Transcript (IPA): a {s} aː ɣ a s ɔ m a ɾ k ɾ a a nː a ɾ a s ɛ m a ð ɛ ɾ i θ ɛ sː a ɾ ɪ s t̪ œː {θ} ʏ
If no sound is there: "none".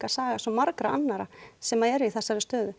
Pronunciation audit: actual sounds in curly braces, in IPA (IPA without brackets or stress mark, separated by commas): s, ð